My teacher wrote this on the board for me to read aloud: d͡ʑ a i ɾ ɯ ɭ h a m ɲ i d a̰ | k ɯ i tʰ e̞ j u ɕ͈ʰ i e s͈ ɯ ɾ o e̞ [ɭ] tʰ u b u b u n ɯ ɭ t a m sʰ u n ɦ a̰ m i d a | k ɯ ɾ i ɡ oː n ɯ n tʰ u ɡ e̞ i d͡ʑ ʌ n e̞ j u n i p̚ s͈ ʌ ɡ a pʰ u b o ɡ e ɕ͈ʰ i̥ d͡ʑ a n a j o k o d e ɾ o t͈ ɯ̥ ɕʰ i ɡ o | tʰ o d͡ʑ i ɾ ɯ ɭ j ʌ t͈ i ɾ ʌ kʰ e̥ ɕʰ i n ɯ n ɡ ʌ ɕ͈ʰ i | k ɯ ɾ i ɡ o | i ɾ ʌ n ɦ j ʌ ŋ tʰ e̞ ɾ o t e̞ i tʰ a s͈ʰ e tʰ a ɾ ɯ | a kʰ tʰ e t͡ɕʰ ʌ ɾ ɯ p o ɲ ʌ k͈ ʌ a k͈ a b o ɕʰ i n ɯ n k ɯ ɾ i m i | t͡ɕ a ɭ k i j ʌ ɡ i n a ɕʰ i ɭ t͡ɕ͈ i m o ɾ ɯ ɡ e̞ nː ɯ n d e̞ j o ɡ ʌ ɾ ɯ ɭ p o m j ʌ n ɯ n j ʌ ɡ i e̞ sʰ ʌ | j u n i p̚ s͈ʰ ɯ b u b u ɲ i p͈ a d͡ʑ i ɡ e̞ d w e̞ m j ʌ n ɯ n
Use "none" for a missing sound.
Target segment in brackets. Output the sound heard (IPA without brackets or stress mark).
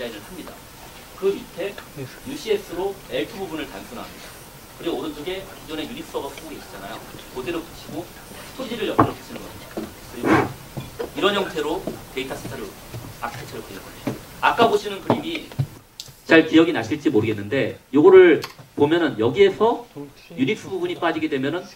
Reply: ɭ